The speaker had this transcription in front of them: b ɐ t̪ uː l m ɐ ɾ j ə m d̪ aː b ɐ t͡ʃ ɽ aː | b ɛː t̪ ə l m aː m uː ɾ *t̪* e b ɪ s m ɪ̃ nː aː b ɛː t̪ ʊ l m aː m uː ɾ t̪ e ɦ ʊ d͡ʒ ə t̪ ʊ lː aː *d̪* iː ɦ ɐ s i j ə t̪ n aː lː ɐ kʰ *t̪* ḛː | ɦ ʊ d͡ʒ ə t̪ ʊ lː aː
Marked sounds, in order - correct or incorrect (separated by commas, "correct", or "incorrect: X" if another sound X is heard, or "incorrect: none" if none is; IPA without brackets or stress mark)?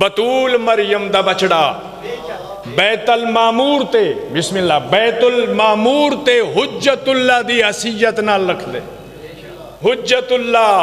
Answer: correct, correct, incorrect: d̪